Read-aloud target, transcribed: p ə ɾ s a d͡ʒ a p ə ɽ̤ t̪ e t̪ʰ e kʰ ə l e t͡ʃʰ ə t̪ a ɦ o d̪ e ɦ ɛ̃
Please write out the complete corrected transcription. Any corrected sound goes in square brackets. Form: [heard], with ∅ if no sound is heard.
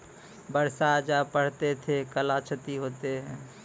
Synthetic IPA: [b] ə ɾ s a d͡ʒ a p ə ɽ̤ t̪ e t̪ʰ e [k] ə l [a] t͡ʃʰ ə t̪ [i] ɦ o [t̪] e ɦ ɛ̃